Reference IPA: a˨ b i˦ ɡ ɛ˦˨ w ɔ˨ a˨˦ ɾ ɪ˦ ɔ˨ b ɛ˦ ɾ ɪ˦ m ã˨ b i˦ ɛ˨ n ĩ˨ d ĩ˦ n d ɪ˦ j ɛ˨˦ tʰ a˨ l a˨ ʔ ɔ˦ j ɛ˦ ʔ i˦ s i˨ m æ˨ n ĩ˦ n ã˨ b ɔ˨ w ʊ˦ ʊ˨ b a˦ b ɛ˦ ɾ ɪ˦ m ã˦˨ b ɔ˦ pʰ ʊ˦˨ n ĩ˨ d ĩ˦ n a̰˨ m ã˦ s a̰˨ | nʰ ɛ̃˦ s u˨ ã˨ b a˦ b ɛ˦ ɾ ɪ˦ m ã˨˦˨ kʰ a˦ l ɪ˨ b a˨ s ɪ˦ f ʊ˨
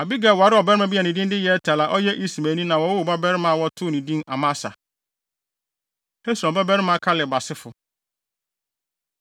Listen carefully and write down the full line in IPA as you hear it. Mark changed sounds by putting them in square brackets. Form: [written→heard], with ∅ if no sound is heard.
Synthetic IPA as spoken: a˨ b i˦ ɡ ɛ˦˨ w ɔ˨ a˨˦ ɾ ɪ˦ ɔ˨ b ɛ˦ ɾ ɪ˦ m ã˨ b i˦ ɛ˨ n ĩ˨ d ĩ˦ n d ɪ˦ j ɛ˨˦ tʰ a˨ l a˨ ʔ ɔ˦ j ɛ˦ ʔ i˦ s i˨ m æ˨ n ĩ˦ n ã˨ [b→w] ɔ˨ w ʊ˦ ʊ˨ b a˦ b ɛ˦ ɾ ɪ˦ m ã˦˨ [b→w] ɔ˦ [pʰ→tʰ] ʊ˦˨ n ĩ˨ d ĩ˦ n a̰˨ m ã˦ s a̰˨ | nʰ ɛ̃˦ s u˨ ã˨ b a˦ b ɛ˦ ɾ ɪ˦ m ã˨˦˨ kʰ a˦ l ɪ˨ b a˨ s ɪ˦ f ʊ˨

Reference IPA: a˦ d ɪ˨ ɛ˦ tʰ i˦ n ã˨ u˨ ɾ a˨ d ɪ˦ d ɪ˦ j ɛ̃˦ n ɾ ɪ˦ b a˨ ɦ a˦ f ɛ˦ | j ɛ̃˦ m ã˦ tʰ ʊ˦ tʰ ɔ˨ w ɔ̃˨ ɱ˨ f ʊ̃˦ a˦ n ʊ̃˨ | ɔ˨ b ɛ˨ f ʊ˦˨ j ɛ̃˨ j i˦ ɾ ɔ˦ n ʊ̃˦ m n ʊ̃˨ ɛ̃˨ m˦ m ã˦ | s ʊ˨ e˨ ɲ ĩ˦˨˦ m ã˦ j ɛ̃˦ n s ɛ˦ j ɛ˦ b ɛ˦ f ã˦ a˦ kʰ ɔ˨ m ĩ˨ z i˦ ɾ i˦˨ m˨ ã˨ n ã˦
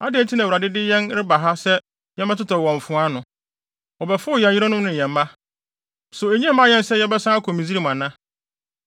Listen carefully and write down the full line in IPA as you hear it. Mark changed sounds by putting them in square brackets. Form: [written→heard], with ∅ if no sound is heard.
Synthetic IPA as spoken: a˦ d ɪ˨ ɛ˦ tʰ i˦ n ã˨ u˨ ɾ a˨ d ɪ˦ d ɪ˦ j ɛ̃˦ n ɾ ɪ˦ b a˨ ɦ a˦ [f→s] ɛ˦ | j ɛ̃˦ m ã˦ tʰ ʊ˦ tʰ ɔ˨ w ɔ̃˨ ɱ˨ f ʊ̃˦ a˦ n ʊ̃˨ | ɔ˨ b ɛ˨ f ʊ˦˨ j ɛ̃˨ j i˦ ɾ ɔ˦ n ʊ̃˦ m n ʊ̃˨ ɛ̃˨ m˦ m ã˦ | s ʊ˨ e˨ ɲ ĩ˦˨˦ m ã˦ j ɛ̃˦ n s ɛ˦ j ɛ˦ b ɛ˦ [f→s] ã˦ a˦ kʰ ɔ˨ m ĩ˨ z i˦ ɾ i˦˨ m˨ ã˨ n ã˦

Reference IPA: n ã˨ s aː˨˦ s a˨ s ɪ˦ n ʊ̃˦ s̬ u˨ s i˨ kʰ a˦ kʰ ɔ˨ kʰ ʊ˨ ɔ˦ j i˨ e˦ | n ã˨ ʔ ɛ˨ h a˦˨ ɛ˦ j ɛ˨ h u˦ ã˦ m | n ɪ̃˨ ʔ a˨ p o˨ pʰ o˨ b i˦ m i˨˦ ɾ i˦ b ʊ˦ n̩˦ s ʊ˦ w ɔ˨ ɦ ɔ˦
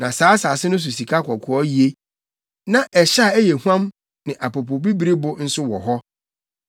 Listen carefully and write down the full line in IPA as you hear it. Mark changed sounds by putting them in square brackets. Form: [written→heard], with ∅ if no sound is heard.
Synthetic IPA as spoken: n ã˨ s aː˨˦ s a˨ s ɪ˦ n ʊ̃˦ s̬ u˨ s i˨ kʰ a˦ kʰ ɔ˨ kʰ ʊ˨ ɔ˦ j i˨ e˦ | n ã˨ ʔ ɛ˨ [h→ɕ] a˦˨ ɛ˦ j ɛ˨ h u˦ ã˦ m | n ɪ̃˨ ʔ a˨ p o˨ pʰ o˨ b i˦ [m→b] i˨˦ ɾ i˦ b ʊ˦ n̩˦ s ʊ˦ w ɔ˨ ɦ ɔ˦

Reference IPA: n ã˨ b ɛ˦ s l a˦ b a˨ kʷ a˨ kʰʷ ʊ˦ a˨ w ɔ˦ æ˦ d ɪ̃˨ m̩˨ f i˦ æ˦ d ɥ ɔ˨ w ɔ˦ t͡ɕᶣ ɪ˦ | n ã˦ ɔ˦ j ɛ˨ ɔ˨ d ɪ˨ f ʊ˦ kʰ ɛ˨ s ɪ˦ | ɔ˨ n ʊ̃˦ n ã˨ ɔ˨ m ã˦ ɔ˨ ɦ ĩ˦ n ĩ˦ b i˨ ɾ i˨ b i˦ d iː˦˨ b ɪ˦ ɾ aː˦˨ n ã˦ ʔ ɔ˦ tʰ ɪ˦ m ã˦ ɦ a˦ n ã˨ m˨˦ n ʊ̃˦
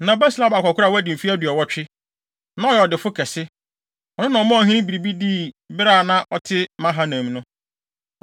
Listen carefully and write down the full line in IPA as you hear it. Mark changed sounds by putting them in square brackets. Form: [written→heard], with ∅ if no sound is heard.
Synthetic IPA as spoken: n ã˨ b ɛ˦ s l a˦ b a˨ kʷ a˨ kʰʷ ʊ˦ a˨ w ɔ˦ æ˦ d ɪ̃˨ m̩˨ f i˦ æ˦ d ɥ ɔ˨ w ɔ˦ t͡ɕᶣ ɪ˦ | n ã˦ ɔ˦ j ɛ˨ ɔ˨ d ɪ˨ f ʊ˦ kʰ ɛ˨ s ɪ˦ | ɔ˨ n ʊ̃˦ n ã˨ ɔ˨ m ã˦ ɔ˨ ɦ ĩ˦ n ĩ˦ b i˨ ɾ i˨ b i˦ d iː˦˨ b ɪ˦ ɾ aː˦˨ n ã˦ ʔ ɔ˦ tʰ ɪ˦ m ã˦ ɦ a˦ n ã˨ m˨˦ n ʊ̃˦

